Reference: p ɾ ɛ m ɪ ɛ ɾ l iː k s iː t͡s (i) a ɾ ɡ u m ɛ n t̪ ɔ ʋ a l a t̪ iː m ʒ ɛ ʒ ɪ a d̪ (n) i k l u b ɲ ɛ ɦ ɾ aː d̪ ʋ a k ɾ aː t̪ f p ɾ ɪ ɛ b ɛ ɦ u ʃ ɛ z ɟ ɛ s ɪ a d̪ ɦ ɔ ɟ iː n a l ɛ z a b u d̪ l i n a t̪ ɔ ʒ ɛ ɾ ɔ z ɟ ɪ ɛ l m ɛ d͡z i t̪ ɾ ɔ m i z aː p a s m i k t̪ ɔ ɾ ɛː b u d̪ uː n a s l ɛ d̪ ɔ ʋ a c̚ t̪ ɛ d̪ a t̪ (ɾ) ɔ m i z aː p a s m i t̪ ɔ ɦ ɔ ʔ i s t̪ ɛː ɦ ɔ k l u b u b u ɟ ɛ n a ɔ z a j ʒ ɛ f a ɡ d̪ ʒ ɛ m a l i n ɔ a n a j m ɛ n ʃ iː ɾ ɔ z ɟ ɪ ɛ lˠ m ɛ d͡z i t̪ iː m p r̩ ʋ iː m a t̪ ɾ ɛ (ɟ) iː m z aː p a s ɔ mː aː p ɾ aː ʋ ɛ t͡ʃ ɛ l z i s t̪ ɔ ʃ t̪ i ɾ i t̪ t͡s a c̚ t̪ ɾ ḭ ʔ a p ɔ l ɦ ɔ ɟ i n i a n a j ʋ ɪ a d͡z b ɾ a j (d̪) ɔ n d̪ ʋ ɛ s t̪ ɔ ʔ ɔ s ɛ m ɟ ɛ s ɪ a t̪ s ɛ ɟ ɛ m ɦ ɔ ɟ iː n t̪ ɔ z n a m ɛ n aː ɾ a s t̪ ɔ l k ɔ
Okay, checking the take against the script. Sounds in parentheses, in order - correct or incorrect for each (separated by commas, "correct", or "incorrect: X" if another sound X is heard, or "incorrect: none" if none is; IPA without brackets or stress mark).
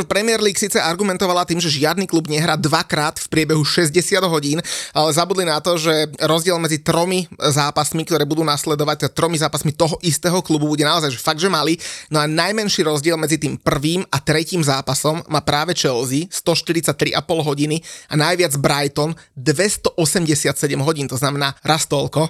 incorrect: ɛ, correct, correct, incorrect: c, incorrect: t̪